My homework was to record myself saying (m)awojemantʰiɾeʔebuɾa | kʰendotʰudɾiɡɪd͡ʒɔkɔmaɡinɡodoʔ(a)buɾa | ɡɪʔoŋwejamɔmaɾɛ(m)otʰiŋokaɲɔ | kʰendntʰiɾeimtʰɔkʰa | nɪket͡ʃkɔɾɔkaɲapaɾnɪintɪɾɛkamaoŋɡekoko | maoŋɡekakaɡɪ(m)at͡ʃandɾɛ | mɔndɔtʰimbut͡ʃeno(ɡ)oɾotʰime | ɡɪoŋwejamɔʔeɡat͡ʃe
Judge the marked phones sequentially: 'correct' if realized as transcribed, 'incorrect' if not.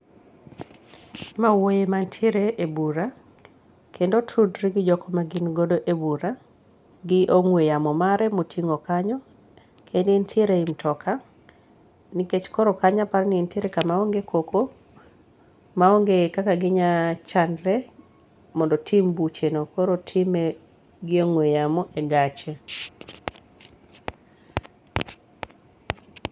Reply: correct, incorrect, correct, incorrect, incorrect

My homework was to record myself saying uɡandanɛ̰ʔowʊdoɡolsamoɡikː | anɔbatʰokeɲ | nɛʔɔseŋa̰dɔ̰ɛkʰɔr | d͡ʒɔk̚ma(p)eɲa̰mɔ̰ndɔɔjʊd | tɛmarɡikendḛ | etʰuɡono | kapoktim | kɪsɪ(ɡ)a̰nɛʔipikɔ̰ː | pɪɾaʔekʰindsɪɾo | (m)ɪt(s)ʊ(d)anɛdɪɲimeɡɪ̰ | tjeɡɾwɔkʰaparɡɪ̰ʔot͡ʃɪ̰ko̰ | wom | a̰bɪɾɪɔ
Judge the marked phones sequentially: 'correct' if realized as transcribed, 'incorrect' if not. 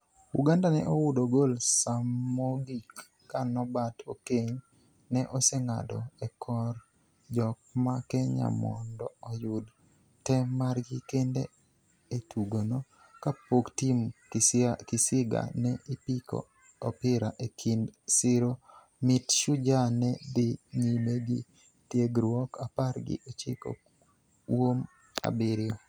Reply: incorrect, correct, correct, incorrect, incorrect

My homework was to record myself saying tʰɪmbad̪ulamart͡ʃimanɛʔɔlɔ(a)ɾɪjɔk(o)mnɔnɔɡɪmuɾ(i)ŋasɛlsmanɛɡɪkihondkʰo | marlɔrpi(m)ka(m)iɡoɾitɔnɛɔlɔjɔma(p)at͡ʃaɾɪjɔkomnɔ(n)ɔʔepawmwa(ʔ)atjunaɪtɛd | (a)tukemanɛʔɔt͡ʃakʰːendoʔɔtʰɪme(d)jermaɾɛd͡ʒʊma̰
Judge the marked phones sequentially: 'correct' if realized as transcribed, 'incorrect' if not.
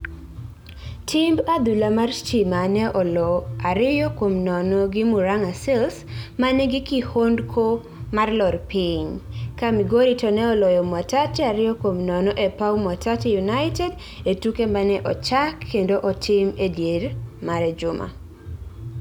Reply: correct, correct, incorrect, incorrect, correct, incorrect, correct, incorrect, incorrect, correct

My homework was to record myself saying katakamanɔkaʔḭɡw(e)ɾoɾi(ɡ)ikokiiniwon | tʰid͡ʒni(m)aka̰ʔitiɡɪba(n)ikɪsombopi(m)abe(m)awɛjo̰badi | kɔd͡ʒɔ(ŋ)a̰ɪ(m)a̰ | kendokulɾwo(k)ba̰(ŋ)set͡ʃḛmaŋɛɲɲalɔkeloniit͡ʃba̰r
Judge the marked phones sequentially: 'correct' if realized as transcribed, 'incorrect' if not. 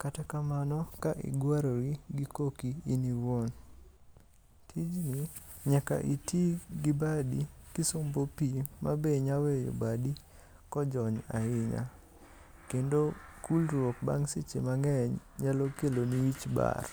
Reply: incorrect, correct, incorrect, incorrect, correct, incorrect, incorrect, incorrect, correct, correct

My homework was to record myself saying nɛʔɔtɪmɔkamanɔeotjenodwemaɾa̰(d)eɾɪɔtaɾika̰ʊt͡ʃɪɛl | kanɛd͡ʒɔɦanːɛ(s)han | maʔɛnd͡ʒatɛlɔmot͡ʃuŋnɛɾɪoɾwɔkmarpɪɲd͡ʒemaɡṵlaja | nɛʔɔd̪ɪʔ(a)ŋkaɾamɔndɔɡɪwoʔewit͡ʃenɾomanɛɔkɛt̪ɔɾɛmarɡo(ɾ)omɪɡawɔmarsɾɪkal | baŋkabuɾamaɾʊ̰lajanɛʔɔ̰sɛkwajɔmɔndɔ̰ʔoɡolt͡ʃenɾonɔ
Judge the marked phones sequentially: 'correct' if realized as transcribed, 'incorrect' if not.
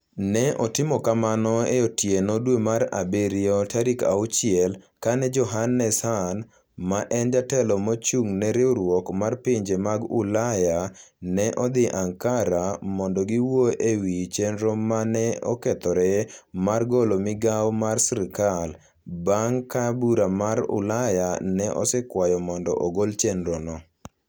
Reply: incorrect, correct, correct, incorrect

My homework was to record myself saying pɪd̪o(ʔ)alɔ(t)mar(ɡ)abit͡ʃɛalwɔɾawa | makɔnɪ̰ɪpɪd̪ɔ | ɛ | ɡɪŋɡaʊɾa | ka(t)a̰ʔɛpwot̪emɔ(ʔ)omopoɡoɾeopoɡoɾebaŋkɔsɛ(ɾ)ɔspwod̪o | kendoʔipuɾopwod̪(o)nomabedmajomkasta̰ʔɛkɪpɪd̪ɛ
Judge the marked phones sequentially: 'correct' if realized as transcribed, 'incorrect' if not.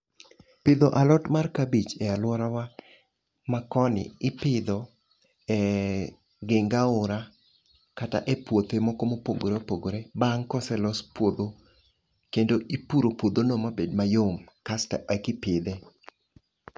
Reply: correct, correct, incorrect, correct, incorrect, incorrect, correct

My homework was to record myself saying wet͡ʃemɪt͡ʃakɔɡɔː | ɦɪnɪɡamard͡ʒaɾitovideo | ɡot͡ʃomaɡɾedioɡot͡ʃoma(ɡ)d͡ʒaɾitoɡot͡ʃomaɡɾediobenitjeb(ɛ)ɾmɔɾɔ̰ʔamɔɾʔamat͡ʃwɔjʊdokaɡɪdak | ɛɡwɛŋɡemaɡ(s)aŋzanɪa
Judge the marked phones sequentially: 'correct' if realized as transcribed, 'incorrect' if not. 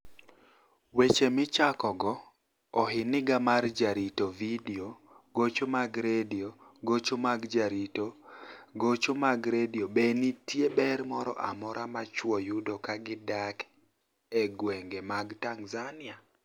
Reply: correct, correct, incorrect

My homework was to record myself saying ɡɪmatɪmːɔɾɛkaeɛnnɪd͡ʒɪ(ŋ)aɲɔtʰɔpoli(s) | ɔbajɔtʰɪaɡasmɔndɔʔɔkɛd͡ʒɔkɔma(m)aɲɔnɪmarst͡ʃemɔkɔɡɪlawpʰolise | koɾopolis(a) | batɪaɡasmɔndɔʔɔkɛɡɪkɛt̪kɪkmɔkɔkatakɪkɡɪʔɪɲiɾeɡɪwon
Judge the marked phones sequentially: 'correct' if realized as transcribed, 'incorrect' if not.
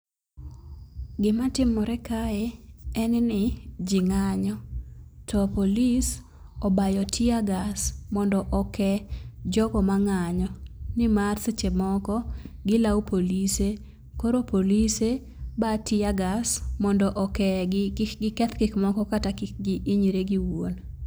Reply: correct, correct, incorrect, incorrect

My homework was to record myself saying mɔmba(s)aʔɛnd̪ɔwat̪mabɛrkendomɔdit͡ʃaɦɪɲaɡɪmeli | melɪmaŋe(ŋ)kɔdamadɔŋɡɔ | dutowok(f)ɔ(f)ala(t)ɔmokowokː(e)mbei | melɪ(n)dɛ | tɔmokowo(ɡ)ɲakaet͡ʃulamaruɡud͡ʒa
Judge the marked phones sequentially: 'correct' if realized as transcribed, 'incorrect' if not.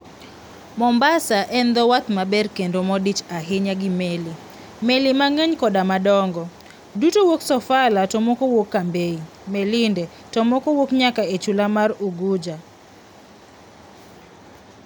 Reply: correct, incorrect, incorrect, correct, correct, incorrect, correct, incorrect

